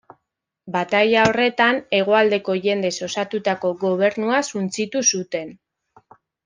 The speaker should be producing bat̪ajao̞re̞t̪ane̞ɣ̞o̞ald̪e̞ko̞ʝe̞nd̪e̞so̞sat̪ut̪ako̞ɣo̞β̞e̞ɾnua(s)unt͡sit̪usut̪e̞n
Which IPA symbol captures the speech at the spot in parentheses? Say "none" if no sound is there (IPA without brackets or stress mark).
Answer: s